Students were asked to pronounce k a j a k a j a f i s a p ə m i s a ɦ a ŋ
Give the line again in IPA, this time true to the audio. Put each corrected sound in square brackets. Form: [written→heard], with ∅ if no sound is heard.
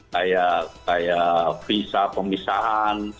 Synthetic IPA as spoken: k a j a k a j a f i s a p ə m i s a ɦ a [ŋ→n]